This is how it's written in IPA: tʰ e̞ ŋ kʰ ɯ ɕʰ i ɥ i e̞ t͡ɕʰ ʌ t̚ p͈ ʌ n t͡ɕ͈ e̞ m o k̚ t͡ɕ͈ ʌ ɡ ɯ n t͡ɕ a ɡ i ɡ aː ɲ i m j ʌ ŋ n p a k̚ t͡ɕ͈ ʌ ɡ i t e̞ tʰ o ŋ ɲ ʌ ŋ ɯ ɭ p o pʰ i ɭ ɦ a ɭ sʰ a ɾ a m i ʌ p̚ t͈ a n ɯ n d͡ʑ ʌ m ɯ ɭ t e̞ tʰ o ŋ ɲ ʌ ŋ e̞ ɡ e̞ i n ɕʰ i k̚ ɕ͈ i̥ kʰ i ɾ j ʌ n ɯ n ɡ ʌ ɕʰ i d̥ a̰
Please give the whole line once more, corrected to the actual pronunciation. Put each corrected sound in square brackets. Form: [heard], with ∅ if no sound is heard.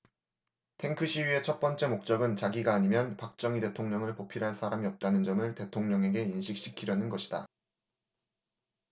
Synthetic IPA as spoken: tʰ e̞ ŋ kʰ ɯ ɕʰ i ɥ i e̞ t͡ɕʰ ʌ t̚ p͈ ʌ n t͡ɕ͈ e̞ m o k̚ t͡ɕ͈ ʌ ɡ ɯ n t͡ɕ a ɡ i ɡ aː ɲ i m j ʌ [∅] n p a k̚ t͡ɕ͈ ʌ [ŋ] i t e̞ tʰ o ŋ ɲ ʌ ŋ ɯ ɭ p o pʰ i [ɾ] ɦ a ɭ sʰ a ɾ a m i ʌ p̚ t͈ a n ɯ n d͡ʑ ʌ m ɯ ɭ t e̞ tʰ o ŋ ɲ ʌ ŋ e̞ ɡ e̞ i n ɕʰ i k̚ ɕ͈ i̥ kʰ i ɾ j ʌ n ɯ n ɡ ʌ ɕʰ i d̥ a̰